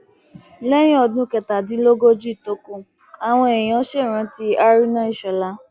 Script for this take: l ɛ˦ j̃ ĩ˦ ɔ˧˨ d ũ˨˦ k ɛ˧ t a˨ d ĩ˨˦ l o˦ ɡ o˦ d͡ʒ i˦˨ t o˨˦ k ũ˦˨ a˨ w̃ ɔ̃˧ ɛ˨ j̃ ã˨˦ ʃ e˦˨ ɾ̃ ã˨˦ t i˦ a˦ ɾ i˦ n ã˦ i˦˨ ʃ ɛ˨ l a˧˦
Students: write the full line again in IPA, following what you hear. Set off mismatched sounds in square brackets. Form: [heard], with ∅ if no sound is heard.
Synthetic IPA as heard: l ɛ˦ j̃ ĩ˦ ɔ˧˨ d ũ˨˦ k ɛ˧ t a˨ d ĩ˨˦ l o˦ ɡ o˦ d͡ʒ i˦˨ t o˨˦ k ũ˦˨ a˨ w̃ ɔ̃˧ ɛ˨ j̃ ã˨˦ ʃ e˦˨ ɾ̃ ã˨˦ t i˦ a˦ ɾ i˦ n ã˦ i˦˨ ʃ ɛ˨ l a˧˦